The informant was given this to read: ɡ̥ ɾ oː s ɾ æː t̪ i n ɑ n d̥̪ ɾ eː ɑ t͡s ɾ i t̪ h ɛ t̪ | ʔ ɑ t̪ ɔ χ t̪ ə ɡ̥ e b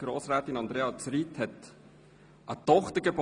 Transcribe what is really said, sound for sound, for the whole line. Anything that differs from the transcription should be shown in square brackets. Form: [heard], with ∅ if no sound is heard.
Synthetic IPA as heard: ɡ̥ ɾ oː s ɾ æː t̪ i n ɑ n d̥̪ ɾ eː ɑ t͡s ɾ i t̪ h ɛ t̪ | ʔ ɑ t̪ ɔ χ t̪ ə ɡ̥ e b